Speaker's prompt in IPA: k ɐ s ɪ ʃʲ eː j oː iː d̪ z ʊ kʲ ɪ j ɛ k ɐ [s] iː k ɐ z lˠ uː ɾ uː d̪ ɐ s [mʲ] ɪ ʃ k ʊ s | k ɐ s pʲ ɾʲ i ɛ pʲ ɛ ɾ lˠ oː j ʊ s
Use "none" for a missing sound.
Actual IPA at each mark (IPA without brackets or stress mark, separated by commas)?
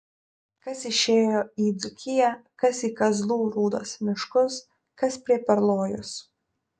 s, mʲ